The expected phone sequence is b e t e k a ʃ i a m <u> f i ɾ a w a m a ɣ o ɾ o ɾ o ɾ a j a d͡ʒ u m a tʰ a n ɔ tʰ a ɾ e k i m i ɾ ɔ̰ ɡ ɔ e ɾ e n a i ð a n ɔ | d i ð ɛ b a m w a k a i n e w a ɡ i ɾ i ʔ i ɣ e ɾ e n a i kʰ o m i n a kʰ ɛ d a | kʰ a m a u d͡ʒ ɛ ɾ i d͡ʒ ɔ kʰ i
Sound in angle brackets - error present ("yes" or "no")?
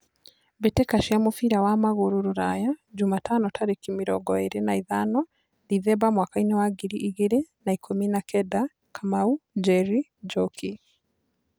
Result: yes